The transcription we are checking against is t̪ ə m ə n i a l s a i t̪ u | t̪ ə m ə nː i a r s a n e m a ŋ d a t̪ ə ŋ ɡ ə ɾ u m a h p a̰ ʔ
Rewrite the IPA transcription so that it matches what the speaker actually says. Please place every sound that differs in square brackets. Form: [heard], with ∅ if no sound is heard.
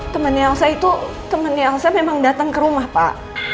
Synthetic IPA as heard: t̪ ə m ə n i a l s a i t̪ u | t̪ ə m ə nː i a [l] s a [m] e m a ŋ d a t̪ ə ŋ [k] ə ɾ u m a h p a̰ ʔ